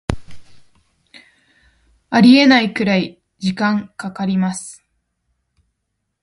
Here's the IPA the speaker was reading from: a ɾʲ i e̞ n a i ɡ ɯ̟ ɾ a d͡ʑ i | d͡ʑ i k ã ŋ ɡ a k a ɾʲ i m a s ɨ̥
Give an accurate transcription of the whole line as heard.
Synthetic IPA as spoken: a ɾʲ i e̞ n a i k ɯ̟ ɾ a i | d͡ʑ i k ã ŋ k a k a ɾʲ i m a s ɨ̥